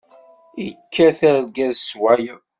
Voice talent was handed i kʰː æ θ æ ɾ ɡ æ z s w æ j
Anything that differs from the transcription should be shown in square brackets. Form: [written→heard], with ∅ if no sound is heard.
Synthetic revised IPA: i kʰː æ θ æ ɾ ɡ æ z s w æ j